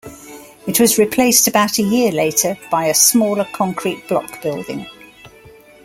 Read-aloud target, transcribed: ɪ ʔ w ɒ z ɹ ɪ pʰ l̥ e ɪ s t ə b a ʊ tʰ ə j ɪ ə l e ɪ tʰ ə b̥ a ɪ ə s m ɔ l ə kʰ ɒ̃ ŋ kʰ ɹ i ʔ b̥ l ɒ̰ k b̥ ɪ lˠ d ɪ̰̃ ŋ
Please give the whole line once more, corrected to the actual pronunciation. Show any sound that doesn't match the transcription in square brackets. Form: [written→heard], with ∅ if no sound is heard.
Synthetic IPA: ɪ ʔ w ɒ z ɹ ɪ pʰ l̥ e ɪ s t ə b a ʊ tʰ ə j ɪ ə l e ɪ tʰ ə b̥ a ɪ ə s m [ɔ→ɔː] l ə kʰ ɒ̃ ŋ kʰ ɹ i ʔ b̥ l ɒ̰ k b̥ ɪ lˠ d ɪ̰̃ ŋ